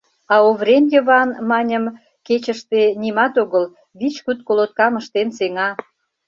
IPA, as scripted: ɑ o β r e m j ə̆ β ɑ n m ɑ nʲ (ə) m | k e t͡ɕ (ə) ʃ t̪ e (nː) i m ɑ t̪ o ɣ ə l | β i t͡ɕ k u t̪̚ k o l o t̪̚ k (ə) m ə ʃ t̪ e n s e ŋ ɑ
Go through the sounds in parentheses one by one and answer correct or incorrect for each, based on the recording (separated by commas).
correct, correct, incorrect, incorrect